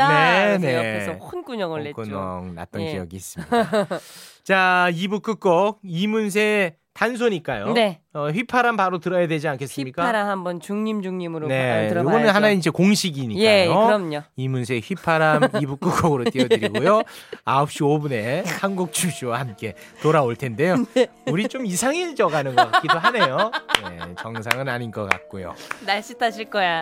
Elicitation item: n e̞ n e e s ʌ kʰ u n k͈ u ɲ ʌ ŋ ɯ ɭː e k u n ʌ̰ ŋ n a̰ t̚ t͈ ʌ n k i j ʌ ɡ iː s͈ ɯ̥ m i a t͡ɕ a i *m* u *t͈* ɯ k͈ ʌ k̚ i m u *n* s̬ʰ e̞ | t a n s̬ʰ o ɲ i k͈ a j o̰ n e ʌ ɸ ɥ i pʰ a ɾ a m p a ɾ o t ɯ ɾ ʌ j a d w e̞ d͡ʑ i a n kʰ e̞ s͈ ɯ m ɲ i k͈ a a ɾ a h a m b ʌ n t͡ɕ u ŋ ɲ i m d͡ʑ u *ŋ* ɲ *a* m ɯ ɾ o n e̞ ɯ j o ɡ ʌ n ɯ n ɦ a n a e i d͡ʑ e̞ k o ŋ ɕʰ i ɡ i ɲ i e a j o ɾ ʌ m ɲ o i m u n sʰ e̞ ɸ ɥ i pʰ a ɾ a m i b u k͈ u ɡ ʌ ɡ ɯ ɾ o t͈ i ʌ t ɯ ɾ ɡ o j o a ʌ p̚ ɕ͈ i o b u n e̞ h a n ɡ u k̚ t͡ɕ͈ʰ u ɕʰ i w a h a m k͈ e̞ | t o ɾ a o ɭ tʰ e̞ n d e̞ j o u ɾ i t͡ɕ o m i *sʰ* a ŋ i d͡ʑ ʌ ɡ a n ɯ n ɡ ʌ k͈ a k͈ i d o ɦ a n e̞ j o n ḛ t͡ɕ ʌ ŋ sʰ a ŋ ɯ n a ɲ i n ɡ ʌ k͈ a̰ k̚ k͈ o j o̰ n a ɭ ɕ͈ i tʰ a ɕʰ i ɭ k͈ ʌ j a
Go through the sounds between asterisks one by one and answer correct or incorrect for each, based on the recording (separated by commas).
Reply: incorrect, incorrect, correct, correct, incorrect, correct